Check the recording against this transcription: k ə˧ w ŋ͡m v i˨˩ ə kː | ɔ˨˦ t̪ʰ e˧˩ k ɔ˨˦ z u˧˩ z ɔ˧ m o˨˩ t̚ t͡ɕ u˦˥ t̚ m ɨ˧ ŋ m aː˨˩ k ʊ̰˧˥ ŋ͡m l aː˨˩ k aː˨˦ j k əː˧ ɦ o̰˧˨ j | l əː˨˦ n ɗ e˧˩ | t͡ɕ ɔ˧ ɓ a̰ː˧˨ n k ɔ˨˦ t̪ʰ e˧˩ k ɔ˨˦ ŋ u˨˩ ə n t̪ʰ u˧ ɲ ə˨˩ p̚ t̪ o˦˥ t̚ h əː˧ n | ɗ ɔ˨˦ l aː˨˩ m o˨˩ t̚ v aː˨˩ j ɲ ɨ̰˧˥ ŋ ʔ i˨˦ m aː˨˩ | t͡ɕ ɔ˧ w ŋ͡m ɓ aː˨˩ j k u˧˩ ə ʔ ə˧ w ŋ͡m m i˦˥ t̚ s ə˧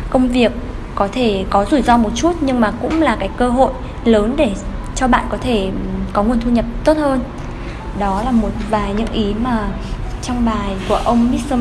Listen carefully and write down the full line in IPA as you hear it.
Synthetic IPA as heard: k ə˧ w ŋ͡m v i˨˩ ə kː | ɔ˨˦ t̪ʰ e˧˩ k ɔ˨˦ z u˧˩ z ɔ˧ m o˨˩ t̚ t͡ɕ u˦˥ t̚ ɲ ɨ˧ ŋ m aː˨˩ k ʊ̰˧˥ ŋ͡m l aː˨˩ k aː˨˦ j k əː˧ ɦ o̰˧˨ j | l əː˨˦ n ɗ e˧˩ | t͡ɕ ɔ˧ ɓ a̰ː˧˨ n k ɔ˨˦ t̪ʰ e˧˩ k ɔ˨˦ ŋ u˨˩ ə n t̪ʰ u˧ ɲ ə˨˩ p̚ t̪ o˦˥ t̚ h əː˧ n | ɗ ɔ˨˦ l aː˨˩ m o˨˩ t̚ v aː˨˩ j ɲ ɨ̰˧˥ ŋ ʔ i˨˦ m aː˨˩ | t͡ɕ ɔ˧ w ŋ͡m ɓ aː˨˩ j k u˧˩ ə ʔ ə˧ w ŋ͡m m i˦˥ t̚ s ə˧